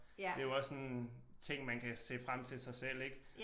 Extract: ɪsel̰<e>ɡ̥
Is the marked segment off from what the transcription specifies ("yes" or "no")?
no